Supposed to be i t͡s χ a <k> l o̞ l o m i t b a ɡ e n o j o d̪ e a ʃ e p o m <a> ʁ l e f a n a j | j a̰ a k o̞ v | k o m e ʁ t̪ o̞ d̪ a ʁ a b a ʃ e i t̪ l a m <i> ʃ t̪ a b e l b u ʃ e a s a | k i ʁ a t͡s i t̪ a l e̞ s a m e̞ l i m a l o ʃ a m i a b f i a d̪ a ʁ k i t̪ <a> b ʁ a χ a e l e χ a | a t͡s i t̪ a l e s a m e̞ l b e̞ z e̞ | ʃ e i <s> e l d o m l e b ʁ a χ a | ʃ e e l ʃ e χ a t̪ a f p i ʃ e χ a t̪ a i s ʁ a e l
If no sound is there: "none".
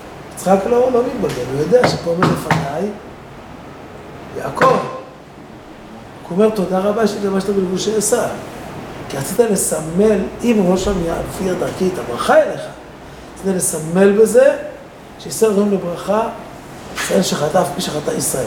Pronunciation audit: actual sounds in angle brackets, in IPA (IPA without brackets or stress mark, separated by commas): k, e, a, a, s